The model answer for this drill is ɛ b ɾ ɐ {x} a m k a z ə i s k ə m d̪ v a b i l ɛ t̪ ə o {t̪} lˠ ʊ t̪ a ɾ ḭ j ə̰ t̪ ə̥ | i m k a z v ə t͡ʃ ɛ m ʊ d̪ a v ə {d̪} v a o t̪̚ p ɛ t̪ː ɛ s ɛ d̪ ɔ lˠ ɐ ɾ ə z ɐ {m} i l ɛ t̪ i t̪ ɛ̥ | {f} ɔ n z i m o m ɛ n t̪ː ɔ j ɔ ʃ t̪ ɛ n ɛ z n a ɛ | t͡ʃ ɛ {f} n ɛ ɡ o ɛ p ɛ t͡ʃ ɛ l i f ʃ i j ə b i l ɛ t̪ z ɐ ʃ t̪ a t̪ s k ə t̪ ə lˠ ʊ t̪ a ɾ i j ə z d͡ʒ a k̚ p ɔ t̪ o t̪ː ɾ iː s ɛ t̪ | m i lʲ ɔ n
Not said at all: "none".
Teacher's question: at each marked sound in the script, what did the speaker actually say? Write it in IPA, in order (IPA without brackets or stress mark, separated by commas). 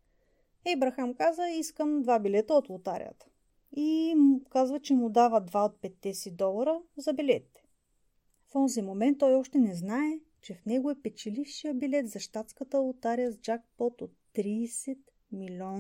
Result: x, t̪, d̪, b, f, f